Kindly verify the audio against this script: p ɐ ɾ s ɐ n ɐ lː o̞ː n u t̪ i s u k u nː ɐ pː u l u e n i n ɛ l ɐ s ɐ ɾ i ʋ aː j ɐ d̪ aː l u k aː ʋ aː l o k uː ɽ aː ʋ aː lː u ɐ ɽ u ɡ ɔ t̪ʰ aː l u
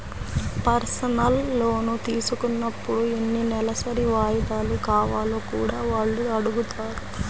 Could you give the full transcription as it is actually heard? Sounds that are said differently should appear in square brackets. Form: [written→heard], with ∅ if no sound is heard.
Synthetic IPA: p ɐ ɾ s ɐ n ɐ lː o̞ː n u t̪ [i→iː] s u k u nː ɐ pː u [l→ɽ] u e [n→nː] i n ɛ l ɐ s ɐ ɾ i ʋ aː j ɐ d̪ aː l u k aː ʋ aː l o k uː ɽ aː ʋ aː [lː→ɭː] u ɐ ɽ u ɡ [ɔ→u] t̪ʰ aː [l→ɾ] u

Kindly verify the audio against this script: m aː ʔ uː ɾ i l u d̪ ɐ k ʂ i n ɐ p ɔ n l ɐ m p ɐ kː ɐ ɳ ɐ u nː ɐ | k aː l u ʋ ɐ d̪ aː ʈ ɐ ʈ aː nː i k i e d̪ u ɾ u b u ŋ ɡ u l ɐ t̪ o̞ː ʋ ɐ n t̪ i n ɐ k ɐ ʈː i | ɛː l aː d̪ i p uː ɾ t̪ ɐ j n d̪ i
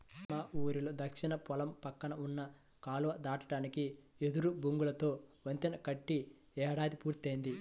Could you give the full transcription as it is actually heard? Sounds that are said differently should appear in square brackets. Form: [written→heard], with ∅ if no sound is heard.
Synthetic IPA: m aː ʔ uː ɾ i l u d̪ ɐ k ʂ i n ɐ p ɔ [n→∅] l ɐ m p ɐ kː ɐ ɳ ɐ u nː ɐ | k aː l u ʋ ɐ d̪ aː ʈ ɐ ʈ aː [nː→n] i k i e d̪ u ɾ u b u ŋ ɡ u l ɐ t̪ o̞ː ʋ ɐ n t̪ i n ɐ k ɐ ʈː i | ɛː [l→ɽ] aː d̪ i p uː ɾ t̪ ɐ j n d̪ i

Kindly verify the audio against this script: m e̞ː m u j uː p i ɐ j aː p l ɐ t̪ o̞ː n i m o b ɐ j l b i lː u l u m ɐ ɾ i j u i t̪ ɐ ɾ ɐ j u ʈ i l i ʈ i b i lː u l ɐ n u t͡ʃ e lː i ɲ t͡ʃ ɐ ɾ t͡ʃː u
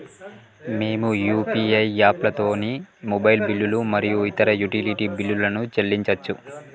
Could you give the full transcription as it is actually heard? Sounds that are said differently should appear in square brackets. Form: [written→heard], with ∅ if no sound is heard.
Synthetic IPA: m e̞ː m u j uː p i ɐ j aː p l ɐ t̪ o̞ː n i m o b ɐ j l b i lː u l u m ɐ ɾ i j u i t̪ ɐ ɾ ɐ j u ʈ i l i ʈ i b i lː u l ɐ n u t͡ʃ e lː i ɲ t͡ʃ ɐ [ɾ→∅] t͡ʃː u

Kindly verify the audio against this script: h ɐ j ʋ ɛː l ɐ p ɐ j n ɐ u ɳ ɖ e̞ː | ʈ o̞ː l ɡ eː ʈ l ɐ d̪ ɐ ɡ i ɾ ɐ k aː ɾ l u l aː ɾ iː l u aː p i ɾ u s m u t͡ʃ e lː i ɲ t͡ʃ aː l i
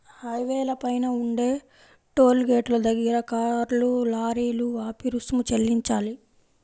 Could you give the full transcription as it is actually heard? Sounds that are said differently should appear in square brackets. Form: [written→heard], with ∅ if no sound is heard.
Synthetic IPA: h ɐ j ʋ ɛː l ɐ p ɐ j n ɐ u ɳ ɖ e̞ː | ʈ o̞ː l ɡ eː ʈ l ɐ d̪ ɐ ɡ i ɾ ɐ k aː ɾ l u l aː ɾ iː l u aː p i ɾ u s m u t͡ʃ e lː i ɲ t͡ʃ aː l i

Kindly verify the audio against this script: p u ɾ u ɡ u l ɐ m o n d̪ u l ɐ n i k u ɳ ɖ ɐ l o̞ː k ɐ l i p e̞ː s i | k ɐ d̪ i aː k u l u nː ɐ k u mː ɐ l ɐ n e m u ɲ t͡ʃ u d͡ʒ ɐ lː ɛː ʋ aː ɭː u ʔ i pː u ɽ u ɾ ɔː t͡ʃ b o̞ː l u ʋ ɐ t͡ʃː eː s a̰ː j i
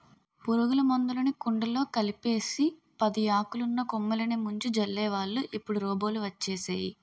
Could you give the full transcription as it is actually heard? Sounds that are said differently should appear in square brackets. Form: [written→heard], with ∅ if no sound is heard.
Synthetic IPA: p u ɾ u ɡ u l ɐ m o n d̪ u l ɐ n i k u ɳ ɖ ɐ l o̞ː k ɐ l i p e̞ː s i | [k→p] ɐ d̪ i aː k u l u nː ɐ k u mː ɐ l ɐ n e m u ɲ t͡ʃ u d͡ʒ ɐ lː ɛː ʋ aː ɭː u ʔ i pː u ɽ u ɾ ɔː [t͡ʃ→∅] b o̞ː l u ʋ ɐ t͡ʃː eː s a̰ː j i

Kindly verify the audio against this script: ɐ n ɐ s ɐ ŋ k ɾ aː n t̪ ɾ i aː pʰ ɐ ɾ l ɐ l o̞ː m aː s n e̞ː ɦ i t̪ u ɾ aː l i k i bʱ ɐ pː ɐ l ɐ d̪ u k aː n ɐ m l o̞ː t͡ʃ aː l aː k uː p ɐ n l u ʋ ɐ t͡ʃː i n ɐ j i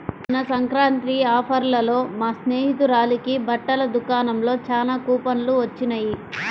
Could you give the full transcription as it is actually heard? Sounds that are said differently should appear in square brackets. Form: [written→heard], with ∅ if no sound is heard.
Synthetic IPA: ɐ n ɐ s ɐ ŋ k ɾ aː n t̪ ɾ i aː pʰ ɐ ɾ l ɐ l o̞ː m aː s n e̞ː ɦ i t̪ u ɾ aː l i k i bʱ ɐ [pː→ʈː] ɐ l ɐ d̪ u k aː n ɐ m l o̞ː t͡ʃ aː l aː k uː p ɐ n l u ʋ ɐ t͡ʃː i n ɐ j i

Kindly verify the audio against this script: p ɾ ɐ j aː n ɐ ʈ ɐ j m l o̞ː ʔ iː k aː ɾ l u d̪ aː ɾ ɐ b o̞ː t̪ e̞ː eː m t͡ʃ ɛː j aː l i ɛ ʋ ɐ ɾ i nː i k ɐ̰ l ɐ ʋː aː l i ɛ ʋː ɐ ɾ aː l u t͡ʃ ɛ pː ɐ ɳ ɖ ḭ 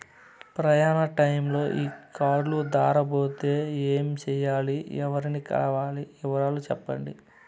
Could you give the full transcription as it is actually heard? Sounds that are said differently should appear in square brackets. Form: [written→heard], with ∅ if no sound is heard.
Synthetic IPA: p ɾ ɐ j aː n ɐ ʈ ɐ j m l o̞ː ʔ iː k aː ɾ l u d̪ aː ɾ ɐ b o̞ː t̪ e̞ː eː m t͡ʃ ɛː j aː l i ɛ ʋ ɐ ɾ i [nː→n] i k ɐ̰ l ɐ [ʋː→ʋ] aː l i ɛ [ʋː→ʋ] ɐ ɾ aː l u t͡ʃ ɛ pː ɐ ɳ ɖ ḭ

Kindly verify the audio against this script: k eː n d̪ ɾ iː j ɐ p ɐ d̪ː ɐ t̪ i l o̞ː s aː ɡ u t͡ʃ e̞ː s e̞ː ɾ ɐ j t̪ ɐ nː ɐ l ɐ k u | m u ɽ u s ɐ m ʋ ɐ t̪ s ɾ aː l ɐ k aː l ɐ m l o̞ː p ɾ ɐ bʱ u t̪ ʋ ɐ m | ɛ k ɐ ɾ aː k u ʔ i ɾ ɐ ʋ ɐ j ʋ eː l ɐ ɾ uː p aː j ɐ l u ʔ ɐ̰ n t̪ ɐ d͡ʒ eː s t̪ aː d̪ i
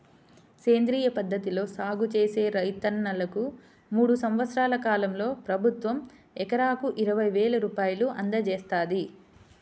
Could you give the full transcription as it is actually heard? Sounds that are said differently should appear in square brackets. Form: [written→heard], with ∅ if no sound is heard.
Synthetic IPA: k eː n d̪ ɾ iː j ɐ p ɐ d̪ː ɐ t̪ i l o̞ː s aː ɡ u t͡ʃ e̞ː s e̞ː ɾ ɐ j t̪ ɐ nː ɐ l ɐ k u | m [u→uː] ɽ u s ɐ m ʋ ɐ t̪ s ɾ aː l ɐ k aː l ɐ m l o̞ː p ɾ ɐ bʱ u t̪ ʋ ɐ m | ɛ k ɐ ɾ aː k u ʔ i ɾ ɐ ʋ ɐ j ʋ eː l ɐ ɾ uː p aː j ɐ l u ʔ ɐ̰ n [t̪→d̪] ɐ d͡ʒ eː s t̪ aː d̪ i

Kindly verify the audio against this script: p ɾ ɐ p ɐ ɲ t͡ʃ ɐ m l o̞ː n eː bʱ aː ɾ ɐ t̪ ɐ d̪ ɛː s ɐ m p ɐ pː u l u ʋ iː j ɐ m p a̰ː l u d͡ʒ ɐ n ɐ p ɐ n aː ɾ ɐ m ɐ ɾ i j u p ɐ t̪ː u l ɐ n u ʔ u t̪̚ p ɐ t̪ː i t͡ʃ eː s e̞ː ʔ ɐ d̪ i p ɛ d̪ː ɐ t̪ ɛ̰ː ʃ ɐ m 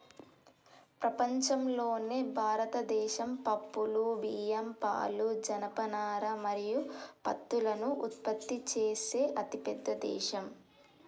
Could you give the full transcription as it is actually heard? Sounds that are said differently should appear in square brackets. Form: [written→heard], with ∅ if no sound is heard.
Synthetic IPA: p ɾ ɐ p ɐ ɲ t͡ʃ ɐ m l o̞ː n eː bʱ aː ɾ ɐ t̪ ɐ d̪ ɛː [s→ʃ] ɐ m p ɐ pː u l u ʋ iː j ɐ m p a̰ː l u d͡ʒ ɐ n ɐ p ɐ n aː ɾ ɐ m ɐ ɾ i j u p ɐ t̪ː u l ɐ n u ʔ u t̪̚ p ɐ t̪ː i t͡ʃ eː s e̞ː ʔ ɐ [d̪→t̪] i p ɛ d̪ː ɐ [t̪→d̪] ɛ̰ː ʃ ɐ m

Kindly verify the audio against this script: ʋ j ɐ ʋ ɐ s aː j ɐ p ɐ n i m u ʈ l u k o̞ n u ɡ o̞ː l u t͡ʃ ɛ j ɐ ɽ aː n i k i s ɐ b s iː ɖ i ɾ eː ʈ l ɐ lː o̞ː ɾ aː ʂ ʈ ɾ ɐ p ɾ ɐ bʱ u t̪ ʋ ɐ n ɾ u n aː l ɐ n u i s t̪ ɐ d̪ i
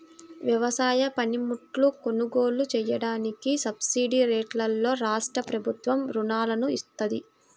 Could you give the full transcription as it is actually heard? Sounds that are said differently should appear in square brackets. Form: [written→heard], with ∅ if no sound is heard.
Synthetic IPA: ʋ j ɐ ʋ ɐ s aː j ɐ p ɐ n i m u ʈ l u k o̞ n u ɡ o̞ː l u t͡ʃ ɛ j ɐ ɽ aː n i k i s ɐ b s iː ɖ i ɾ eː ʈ l ɐ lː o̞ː ɾ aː ʂ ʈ ɾ ɐ p ɾ ɐ bʱ u t̪ ʋ ɐ [n→m] ɾ u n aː l ɐ n u i s t̪ ɐ d̪ i

